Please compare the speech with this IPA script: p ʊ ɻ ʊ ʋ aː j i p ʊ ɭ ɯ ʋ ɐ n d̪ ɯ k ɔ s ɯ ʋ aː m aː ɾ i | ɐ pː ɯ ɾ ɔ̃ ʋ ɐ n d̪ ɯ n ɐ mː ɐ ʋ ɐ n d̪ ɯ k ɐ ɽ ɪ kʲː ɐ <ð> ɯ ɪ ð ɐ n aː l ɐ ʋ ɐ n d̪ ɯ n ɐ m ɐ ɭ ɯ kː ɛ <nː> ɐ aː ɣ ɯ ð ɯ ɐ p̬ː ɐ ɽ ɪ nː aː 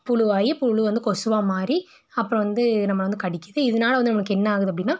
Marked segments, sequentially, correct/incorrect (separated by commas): correct, correct